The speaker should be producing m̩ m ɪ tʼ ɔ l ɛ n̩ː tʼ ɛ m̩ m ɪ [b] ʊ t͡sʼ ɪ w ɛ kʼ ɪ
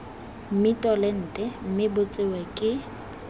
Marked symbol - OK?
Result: yes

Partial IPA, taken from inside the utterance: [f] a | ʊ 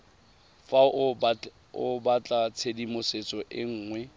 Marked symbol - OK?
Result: yes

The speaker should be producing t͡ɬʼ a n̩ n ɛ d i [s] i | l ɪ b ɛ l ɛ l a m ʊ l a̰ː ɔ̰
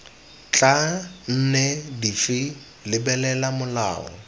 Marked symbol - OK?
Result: no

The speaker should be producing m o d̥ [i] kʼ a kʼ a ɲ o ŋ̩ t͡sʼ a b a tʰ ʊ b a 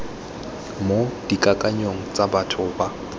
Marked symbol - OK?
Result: yes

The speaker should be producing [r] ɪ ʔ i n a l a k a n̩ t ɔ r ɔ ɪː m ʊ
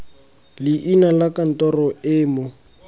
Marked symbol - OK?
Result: no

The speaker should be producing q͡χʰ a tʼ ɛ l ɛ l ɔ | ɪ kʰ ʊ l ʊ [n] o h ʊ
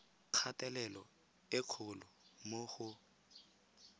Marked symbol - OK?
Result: no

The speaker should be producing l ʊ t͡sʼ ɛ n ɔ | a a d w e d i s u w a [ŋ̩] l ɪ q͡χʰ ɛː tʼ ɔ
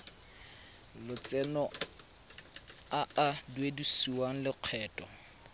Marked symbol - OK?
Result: yes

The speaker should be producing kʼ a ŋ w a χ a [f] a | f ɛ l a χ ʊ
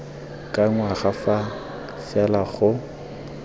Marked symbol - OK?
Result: yes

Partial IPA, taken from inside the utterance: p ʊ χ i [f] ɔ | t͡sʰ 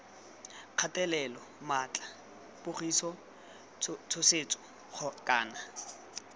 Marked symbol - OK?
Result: no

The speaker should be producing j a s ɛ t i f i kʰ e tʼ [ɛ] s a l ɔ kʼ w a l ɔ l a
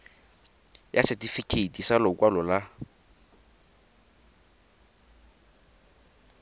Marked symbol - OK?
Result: no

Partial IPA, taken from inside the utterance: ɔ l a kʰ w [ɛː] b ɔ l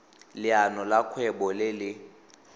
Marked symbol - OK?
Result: no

